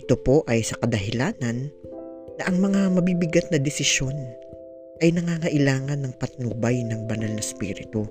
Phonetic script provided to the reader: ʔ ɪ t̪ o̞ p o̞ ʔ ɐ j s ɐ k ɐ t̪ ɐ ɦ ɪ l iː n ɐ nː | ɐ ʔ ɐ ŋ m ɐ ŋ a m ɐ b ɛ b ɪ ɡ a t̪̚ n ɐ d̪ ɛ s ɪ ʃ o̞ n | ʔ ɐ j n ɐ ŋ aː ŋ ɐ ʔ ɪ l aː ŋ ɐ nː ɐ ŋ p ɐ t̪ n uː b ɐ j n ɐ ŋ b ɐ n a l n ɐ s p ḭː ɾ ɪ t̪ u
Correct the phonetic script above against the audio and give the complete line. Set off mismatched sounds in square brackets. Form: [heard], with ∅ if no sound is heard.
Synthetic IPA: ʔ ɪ t̪ o̞ p o̞ ʔ ɐ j s ɐ k ɐ [d̪] ɐ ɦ ɪ l [aː] n ɐ nː | ɐ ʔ ɐ ŋ m ɐ ŋ a m ɐ b [i] b ɪ ɡ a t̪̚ n ɐ d̪ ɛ s ɪ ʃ o̞ n | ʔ ɐ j n ɐ ŋ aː ŋ ɐ ʔ ɪ l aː ŋ ɐ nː ɐ ŋ p ɐ t̪ n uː b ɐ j n ɐ ŋ b ɐ n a l n ɐ s p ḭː ɾ ɪ t̪ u